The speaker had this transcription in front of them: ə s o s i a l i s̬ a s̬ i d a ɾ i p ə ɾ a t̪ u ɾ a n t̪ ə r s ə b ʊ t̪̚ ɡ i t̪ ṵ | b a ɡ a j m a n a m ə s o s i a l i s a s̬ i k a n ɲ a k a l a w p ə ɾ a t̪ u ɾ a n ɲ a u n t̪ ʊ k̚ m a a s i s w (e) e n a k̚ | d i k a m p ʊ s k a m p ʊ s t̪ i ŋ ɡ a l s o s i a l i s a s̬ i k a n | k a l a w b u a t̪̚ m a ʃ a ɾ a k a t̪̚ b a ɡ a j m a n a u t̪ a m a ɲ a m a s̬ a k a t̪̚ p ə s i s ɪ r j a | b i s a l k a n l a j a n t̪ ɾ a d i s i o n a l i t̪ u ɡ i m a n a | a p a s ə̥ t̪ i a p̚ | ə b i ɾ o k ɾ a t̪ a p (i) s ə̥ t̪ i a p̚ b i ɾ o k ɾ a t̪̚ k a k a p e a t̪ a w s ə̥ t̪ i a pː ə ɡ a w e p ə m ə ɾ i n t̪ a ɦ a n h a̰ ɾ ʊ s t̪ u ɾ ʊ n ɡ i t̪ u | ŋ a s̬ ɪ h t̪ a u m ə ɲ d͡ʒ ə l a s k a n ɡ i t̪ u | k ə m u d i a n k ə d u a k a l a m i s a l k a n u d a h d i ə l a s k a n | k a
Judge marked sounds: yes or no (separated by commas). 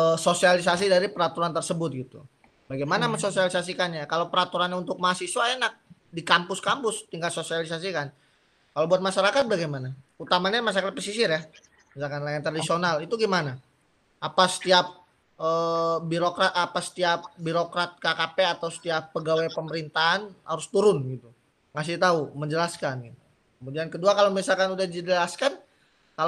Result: no, no